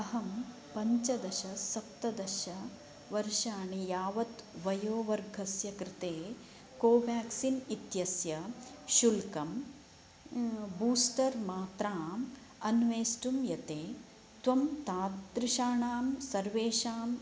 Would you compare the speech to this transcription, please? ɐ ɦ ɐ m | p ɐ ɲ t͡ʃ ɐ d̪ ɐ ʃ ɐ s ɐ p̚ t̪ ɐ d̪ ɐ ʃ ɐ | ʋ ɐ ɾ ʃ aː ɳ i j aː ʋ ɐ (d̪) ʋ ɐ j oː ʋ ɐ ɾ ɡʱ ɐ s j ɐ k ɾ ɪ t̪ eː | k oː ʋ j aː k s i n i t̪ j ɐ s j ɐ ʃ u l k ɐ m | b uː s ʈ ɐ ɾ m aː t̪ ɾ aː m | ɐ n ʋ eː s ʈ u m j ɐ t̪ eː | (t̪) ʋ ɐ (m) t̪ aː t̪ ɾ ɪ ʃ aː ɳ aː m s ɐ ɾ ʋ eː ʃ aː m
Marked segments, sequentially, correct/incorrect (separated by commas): incorrect, correct, correct